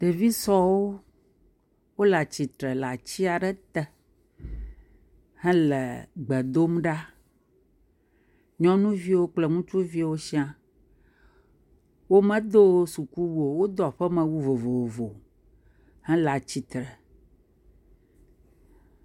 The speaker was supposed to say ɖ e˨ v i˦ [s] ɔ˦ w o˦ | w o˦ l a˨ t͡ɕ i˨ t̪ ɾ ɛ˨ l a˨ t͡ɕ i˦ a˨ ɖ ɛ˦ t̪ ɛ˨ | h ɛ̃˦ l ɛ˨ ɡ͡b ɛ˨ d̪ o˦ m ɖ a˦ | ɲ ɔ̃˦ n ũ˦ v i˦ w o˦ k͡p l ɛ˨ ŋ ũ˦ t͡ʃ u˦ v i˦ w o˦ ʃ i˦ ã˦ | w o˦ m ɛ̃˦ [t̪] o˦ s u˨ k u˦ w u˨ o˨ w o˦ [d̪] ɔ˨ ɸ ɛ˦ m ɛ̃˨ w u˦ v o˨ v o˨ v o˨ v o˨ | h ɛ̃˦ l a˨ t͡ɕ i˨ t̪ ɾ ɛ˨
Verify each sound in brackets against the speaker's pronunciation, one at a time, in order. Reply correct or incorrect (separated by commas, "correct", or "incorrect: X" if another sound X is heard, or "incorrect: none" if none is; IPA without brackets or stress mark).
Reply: correct, incorrect: d̪, correct